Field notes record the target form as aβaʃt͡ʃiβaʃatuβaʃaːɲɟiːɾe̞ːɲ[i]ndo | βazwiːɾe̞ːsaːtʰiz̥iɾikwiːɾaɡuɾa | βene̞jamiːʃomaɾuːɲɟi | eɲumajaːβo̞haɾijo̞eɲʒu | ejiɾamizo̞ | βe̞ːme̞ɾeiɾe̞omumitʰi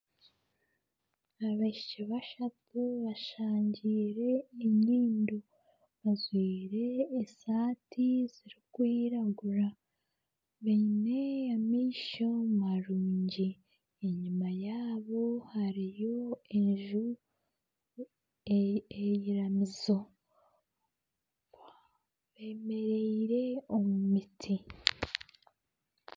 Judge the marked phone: incorrect: iː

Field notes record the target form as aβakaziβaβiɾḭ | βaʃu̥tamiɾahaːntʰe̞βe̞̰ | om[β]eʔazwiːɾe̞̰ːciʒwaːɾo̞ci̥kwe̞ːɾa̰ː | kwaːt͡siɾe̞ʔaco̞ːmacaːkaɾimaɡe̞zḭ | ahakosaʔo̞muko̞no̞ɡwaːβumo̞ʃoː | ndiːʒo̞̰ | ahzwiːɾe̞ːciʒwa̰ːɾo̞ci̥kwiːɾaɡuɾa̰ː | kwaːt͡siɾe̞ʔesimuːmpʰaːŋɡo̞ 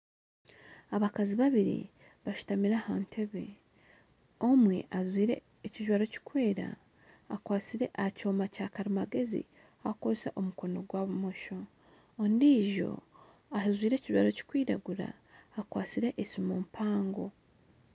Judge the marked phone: incorrect: w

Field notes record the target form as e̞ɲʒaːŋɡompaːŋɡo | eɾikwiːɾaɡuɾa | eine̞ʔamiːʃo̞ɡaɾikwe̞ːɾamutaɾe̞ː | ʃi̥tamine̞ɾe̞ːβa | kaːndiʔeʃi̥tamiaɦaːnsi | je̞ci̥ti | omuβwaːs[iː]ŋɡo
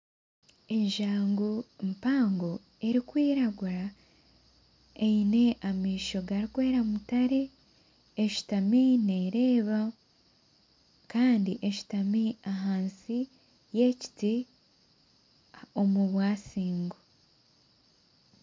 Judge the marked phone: correct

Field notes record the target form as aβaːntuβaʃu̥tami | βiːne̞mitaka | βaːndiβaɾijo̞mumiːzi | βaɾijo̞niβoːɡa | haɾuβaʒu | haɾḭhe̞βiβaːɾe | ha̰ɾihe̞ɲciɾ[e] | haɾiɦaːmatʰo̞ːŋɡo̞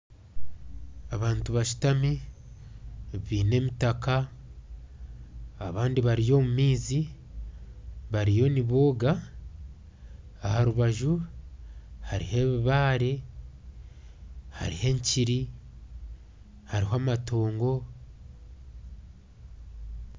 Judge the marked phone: incorrect: i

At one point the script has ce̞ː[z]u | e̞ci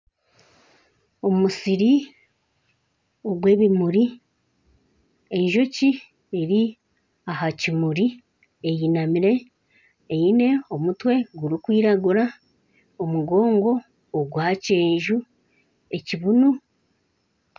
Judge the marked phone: incorrect: ʒ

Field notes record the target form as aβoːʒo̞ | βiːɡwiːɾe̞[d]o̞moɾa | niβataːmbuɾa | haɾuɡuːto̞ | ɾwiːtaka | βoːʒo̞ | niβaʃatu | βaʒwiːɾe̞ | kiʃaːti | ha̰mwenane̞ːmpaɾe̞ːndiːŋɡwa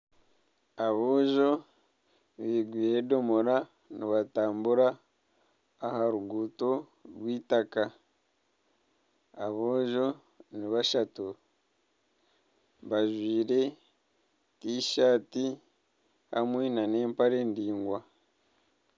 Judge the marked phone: correct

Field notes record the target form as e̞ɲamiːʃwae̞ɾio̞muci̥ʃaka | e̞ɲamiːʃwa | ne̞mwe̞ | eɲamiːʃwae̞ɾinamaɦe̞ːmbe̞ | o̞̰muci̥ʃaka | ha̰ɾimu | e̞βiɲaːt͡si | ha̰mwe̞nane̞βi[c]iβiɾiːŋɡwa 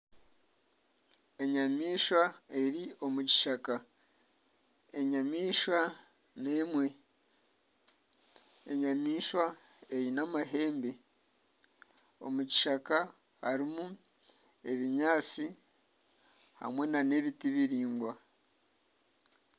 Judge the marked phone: incorrect: t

